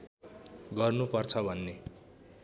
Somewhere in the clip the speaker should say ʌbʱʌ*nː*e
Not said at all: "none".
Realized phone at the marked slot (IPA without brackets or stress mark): nː